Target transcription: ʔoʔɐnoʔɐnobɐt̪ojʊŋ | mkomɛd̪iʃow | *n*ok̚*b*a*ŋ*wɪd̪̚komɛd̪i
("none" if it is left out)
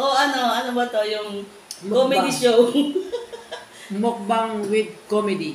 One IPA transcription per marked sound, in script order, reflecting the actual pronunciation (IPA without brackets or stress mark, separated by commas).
m, b, ŋ